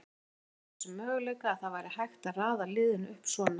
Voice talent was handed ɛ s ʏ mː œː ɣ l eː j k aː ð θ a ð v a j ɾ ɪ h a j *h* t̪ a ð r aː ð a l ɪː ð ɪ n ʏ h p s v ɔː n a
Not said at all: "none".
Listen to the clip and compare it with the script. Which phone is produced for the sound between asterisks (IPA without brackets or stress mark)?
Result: x